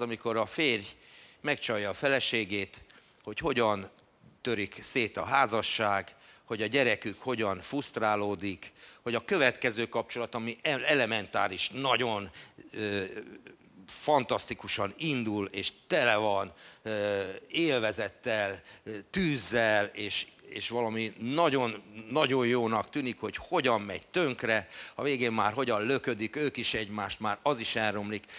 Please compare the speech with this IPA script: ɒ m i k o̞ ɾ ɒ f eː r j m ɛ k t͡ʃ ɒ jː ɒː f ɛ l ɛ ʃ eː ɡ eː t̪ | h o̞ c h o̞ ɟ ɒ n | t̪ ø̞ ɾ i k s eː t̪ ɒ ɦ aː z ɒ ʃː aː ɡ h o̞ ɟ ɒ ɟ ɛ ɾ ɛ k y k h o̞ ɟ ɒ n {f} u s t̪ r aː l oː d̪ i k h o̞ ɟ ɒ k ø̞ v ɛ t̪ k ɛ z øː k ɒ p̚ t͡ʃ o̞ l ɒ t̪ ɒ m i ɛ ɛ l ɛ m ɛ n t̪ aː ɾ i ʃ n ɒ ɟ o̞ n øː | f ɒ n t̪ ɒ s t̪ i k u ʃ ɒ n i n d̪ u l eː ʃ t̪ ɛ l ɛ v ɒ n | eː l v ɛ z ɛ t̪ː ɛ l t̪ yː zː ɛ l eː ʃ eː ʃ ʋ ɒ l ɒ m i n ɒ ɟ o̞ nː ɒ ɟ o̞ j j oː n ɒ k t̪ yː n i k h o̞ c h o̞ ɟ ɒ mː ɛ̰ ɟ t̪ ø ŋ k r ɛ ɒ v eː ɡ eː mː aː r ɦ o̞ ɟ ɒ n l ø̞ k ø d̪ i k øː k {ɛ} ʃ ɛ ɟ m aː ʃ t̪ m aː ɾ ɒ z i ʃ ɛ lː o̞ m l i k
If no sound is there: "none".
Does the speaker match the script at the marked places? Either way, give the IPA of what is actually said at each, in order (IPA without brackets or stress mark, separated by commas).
f, i